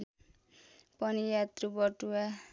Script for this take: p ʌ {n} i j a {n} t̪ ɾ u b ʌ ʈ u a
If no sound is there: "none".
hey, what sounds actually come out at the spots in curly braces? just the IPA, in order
n, none

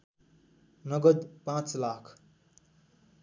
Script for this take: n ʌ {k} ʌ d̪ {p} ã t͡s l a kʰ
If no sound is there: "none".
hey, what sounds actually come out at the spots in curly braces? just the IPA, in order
ɡ, p

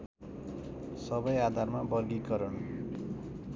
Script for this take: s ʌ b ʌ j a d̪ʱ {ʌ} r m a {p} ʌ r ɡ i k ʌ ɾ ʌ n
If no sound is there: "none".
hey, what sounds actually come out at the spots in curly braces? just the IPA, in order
a, b

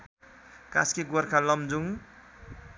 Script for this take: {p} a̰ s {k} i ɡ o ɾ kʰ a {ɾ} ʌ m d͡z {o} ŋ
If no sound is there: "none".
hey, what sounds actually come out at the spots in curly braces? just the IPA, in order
k, k, l, u

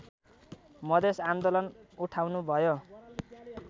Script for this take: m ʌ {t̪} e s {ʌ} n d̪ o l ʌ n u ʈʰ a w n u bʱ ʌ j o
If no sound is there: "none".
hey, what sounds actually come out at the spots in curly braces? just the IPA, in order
d̪, a

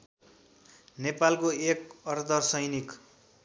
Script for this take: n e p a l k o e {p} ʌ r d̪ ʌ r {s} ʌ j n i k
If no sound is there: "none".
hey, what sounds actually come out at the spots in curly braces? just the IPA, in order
k, s

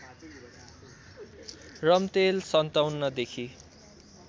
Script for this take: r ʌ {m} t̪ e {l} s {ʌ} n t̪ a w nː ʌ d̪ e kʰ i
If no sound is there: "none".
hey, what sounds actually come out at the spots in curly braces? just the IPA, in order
m, l, ʌ

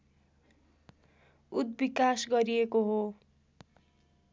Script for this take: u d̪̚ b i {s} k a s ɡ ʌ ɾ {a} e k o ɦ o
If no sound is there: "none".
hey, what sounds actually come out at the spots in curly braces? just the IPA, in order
none, i

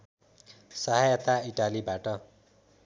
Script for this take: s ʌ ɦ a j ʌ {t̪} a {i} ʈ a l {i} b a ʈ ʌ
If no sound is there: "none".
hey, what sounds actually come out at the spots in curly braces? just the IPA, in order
t̪, i, i

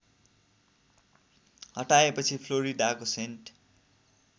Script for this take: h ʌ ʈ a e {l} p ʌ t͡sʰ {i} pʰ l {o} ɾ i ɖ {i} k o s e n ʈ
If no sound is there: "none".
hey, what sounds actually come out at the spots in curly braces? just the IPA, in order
none, i, o, a

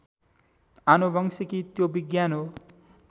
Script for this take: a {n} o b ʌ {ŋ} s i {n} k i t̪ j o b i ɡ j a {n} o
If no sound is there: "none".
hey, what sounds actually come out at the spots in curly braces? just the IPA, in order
n, ŋ, none, n

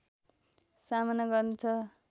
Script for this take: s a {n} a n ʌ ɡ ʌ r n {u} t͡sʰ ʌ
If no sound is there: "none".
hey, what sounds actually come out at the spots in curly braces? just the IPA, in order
m, u

